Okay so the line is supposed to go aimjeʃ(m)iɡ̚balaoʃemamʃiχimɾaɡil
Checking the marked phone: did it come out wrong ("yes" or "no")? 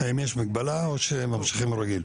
no